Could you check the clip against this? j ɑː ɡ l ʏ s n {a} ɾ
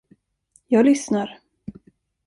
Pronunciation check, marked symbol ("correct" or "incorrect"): correct